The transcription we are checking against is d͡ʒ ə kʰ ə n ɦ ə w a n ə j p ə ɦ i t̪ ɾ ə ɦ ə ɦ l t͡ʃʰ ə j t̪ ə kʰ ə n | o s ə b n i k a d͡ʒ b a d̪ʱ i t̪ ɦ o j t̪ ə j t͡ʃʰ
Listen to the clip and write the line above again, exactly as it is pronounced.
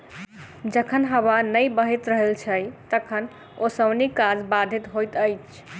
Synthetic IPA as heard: d͡ʒ ə kʰ ə n ɦ ə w a n ə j b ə ɦ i t̪ ɾ ə ɦ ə l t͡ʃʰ ə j t̪ ə kʰ ə n | o s ə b n i k a d͡ʒ b a d̪ʱ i t̪ ɦ o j t̪ ə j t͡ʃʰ